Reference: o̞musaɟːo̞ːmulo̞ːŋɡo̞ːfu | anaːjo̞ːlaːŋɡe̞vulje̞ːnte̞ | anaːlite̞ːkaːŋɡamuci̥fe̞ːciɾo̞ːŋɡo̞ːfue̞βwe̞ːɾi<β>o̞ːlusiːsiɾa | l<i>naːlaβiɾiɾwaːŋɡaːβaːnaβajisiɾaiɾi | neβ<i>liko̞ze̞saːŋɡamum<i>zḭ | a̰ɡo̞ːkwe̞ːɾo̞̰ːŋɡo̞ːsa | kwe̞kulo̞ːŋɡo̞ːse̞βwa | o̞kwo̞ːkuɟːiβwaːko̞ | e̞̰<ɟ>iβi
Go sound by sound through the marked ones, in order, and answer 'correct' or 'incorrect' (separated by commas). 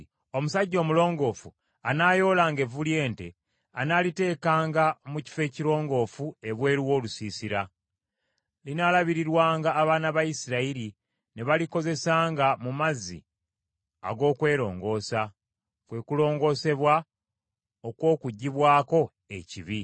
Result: incorrect, correct, incorrect, incorrect, incorrect